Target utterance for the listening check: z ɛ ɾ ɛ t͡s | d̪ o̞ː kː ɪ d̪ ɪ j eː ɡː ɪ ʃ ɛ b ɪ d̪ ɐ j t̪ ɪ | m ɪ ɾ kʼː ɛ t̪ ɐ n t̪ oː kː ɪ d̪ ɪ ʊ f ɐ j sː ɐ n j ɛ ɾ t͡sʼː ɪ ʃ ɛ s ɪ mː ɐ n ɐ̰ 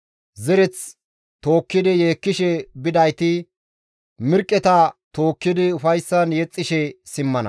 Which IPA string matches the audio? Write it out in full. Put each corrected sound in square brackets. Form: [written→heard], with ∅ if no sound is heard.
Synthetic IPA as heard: z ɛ ɾ ɛ t͡s | [d̪→t̪] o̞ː kː ɪ d̪ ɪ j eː [ɡː→kː] ɪ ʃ ɛ b ɪ d̪ ɐ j t̪ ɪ | m ɪ ɾ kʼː ɛ t̪ ɐ [n→∅] t̪ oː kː ɪ d̪ ɪ ʊ f ɐ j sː ɐ n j ɛ [ɾ→∅] t͡sʼː ɪ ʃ ɛ s ɪ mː ɐ n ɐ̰